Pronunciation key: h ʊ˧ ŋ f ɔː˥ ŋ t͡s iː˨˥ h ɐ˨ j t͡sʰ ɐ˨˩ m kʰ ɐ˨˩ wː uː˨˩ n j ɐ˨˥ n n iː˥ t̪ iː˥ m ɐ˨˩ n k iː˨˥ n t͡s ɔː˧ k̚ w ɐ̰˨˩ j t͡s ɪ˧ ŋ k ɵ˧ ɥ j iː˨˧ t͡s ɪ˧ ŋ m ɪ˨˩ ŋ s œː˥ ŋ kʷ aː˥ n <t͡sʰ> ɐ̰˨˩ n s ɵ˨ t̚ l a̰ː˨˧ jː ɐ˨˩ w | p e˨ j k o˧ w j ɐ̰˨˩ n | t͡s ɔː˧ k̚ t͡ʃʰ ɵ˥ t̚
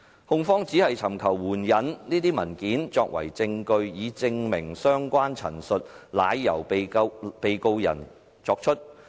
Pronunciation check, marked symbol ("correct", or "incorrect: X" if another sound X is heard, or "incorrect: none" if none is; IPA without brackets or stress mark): correct